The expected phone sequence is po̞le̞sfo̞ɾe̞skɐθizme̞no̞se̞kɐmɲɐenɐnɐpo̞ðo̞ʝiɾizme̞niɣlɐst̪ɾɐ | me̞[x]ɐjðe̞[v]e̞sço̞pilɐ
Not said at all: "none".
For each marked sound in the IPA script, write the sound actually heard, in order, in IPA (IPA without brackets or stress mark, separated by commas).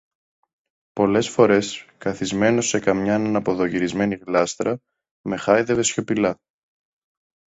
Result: x, v